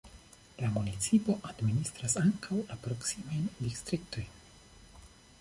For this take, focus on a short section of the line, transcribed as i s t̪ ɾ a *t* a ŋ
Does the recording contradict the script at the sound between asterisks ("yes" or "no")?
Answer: yes